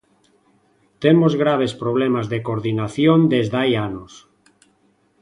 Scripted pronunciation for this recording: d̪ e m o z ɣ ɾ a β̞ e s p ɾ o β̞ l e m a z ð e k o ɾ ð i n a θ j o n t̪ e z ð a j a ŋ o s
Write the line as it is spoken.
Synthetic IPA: t̪ e m o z ɣ ɾ a β̞ e s p ɾ o β̞ l e m a z ð e k o ɾ ð i n a θ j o n d̪ e z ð a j a n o s

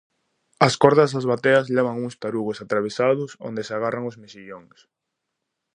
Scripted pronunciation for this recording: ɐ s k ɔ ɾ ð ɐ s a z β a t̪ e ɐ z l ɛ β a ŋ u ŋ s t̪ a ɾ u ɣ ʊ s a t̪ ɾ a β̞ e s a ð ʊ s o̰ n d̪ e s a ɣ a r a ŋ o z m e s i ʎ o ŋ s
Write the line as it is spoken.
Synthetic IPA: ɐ s k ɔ ɾ ð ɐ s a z β a t̪ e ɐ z l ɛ β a ŋ u ŋ s t̪ a ɾ u ɣ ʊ s a t̪ ɾ a β̞ e s a ð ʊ s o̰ n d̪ e s a ɣ a r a ŋ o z m e s i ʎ o ŋ s

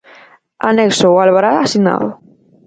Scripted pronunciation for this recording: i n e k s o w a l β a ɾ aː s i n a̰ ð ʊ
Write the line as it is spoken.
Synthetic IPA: a n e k s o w a l β a ɾ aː s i n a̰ ð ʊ

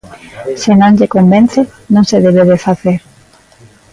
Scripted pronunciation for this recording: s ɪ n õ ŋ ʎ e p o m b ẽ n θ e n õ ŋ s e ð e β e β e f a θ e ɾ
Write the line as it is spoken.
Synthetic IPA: s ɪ n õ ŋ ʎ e k o m b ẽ n θ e n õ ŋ s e ð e β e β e f a θ e ɾ

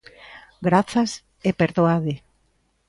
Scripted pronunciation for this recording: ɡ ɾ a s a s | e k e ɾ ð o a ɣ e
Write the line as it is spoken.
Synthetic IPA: ɡ ɾ a θ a s | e p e ɾ ð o a ð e

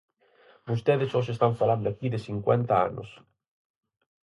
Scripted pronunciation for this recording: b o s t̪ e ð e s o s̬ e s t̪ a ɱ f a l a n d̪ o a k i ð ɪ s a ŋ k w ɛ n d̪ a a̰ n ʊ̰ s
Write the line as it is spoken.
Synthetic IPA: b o s t̪ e ð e s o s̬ e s t̪ a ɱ f a l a n d̪ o a k i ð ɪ s i ŋ k w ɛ n t̪ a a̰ n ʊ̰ s

